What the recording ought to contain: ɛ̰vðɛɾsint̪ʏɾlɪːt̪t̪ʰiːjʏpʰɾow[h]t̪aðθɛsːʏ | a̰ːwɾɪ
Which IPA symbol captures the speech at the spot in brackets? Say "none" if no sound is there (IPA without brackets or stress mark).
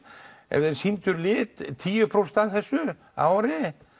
s